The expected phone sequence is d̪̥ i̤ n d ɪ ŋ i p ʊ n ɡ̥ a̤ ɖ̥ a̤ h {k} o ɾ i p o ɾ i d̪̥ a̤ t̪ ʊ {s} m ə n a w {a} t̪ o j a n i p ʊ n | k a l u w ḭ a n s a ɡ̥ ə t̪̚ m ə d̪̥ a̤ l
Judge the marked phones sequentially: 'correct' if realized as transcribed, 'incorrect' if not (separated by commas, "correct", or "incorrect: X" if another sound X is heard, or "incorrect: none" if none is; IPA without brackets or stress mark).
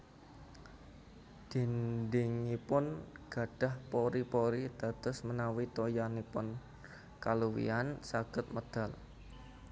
incorrect: p, correct, incorrect: i